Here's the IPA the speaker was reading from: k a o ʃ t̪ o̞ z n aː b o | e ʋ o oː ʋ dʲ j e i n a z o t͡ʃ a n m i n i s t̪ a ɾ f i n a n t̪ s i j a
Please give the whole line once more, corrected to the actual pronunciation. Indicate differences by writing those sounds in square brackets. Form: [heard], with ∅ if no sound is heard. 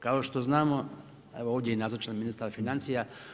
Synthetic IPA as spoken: k a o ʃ t̪ o̞ z n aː [m] o | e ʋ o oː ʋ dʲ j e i n a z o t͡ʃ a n m i n i s t̪ a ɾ f i n a n t̪ s i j a